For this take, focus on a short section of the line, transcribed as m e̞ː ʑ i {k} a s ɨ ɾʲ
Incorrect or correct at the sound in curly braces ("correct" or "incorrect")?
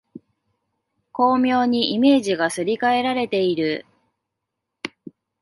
incorrect